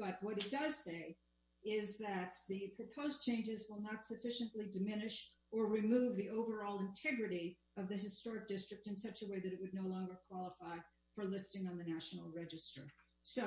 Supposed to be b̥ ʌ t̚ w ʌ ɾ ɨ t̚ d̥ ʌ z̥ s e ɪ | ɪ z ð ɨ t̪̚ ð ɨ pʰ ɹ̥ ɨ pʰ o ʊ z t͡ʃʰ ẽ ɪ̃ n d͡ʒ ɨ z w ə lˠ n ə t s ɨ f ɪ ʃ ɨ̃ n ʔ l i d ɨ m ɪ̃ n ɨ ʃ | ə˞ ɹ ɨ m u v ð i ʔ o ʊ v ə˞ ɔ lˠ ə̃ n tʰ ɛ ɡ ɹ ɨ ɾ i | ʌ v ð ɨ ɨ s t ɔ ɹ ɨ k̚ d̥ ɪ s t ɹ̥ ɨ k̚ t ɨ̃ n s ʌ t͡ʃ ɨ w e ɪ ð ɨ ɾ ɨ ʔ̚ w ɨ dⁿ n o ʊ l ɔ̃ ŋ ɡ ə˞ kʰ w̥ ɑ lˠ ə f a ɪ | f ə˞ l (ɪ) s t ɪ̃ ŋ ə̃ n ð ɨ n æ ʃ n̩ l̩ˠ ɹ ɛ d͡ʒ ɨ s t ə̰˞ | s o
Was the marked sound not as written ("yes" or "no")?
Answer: no